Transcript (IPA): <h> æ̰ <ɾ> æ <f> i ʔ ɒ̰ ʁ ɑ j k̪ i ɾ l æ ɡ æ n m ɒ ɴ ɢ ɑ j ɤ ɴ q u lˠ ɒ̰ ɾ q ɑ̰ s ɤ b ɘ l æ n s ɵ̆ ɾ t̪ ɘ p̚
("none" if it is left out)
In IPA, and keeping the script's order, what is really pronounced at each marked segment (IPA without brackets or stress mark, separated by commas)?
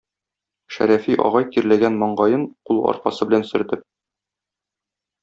ʃ, ɾ, f